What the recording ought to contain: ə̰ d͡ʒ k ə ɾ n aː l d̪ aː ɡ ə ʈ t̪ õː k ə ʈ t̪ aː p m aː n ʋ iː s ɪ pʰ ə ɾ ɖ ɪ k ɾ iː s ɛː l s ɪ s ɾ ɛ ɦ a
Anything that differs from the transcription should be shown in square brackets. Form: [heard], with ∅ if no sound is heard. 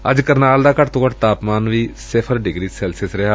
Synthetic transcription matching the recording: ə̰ d͡ʒ k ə ɾ n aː l d̪ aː [k] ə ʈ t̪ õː k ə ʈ t̪ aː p m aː n ʋ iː s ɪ pʰ ə ɾ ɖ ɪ [ɡ] ɾ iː s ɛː l s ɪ s ɾ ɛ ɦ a